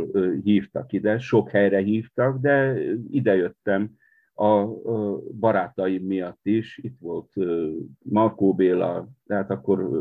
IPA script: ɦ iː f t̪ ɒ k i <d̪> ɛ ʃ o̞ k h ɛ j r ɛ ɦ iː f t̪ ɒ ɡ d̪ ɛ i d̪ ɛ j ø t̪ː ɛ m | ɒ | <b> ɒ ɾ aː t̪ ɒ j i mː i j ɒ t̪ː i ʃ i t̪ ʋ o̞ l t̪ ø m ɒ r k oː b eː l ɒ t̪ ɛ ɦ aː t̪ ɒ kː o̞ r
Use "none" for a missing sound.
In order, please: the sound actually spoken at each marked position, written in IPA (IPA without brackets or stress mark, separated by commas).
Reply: d̪, b